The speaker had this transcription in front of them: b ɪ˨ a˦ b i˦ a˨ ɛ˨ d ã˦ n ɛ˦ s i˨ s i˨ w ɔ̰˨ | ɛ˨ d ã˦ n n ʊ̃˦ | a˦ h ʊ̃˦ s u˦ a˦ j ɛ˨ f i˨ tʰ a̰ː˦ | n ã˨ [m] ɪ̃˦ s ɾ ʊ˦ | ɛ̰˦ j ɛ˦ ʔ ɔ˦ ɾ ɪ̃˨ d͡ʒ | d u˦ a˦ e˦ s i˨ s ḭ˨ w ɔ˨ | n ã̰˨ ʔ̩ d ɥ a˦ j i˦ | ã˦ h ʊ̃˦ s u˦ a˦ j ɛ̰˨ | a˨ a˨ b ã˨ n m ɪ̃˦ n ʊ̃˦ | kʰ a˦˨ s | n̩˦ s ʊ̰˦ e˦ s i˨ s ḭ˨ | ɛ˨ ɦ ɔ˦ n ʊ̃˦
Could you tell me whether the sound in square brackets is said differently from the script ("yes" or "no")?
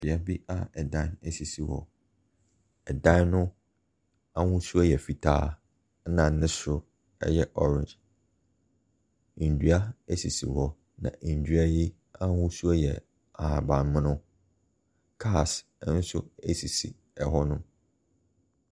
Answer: yes